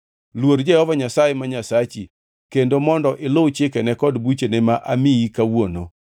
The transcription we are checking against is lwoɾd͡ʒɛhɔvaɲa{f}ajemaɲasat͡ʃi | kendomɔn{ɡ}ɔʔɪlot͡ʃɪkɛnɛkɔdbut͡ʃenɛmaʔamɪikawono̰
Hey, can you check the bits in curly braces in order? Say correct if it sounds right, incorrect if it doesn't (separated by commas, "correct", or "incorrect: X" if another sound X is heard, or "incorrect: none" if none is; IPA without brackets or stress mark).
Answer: incorrect: s, incorrect: d